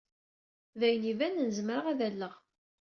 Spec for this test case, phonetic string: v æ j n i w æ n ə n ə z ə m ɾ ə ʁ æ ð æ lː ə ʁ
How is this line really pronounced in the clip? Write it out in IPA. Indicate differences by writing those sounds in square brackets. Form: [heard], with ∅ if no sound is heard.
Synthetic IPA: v æ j n i [v] æ n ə n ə z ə m ɾ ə ʁ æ ð æ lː ə ʁ